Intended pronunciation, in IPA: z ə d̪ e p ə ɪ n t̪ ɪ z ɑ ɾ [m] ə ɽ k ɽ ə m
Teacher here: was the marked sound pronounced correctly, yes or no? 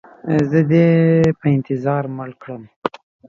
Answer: yes